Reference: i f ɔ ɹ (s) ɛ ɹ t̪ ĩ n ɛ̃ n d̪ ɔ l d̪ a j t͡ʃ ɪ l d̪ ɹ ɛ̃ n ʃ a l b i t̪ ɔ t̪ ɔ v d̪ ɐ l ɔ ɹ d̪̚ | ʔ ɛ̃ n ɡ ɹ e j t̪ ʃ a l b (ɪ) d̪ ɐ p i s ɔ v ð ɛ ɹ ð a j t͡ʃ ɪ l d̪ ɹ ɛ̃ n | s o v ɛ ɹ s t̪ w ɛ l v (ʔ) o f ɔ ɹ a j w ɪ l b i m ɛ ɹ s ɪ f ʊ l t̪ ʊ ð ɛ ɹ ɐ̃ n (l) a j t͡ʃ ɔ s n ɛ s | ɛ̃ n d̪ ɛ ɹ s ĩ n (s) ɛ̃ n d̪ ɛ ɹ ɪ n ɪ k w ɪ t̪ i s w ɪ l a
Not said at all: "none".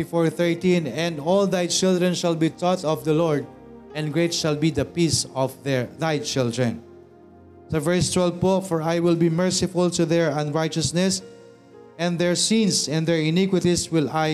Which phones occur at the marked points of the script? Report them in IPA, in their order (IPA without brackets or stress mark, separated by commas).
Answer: θ, i, p, ɹ, s